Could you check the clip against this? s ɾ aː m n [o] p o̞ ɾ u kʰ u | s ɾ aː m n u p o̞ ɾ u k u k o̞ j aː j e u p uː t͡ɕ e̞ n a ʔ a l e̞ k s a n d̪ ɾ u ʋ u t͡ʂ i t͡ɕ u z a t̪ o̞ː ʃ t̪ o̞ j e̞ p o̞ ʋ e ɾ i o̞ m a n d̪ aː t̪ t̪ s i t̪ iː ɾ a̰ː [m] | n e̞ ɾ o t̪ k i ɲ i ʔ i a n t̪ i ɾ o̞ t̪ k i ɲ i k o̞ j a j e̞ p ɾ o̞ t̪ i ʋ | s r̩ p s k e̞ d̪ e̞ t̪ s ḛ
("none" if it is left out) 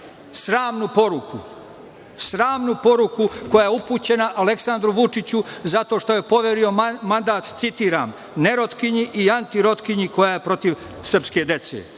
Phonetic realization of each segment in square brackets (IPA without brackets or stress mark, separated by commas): u, m